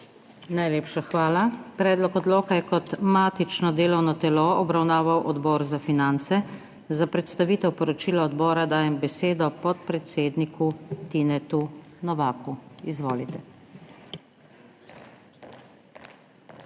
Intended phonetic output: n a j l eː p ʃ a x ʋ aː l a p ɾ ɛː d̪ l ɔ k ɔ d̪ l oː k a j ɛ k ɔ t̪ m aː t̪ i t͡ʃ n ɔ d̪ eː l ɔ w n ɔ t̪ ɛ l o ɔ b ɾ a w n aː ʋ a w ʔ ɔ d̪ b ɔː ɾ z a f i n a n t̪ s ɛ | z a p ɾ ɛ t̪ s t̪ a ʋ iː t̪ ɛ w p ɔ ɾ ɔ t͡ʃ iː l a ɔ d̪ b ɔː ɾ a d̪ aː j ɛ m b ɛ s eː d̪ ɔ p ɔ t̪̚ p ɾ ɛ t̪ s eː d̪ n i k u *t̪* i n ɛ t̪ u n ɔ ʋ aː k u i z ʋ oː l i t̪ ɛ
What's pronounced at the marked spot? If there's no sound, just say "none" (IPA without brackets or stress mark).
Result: t̪